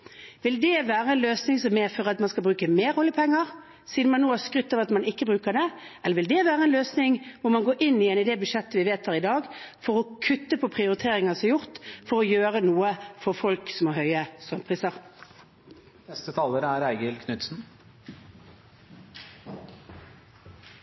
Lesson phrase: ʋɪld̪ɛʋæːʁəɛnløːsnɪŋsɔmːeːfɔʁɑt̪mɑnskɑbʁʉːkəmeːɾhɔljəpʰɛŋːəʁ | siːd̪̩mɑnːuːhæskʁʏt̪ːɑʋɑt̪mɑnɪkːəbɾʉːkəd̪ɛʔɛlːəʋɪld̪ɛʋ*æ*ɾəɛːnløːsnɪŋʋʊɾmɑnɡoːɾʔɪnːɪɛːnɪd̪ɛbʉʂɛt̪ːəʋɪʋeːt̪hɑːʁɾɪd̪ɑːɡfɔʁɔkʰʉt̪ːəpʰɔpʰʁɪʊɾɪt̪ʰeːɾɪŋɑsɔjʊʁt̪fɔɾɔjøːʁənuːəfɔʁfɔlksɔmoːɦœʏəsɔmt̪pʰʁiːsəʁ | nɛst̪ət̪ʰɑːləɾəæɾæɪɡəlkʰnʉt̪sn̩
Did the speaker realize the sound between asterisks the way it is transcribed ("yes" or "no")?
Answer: no